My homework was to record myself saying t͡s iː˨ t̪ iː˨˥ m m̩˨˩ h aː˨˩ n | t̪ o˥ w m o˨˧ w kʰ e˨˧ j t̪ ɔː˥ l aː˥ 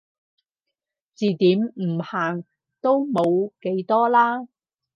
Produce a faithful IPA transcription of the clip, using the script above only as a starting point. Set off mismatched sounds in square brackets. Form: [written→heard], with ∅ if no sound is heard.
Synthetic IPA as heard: t͡s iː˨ t̪ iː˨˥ m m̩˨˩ h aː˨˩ [n→ŋ] | t̪ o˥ w m o˨˧ w [kʰ→k] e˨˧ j t̪ ɔː˥ l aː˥